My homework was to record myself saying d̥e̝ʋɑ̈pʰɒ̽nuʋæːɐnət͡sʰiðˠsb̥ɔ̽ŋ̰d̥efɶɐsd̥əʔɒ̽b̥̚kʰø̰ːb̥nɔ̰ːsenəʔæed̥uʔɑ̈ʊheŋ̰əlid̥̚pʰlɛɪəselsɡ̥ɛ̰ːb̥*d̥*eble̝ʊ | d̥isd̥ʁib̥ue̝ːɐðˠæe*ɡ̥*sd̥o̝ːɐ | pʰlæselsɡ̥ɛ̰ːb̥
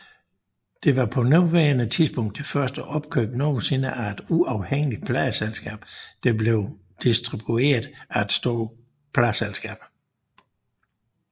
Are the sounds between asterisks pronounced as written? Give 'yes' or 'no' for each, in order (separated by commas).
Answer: yes, no